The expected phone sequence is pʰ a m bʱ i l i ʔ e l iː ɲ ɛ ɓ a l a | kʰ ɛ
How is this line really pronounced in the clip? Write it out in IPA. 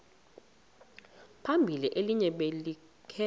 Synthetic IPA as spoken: pʰ a m bʱ i l i ʔ e l i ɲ ɛ ɓ e l i | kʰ ɛ